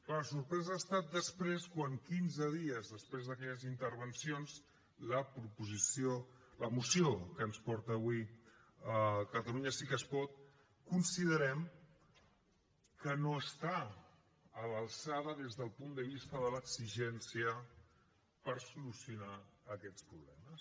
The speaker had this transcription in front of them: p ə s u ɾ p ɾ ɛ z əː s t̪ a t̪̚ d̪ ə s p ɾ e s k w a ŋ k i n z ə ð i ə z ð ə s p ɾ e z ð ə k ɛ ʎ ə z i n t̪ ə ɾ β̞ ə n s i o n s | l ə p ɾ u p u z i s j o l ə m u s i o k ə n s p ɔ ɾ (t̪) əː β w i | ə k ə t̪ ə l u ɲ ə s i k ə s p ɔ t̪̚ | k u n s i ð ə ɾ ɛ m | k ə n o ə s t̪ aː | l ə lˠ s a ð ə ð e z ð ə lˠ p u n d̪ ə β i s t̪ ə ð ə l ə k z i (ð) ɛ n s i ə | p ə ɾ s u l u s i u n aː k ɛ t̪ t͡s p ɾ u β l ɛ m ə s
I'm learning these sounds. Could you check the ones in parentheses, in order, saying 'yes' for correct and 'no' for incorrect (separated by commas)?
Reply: yes, no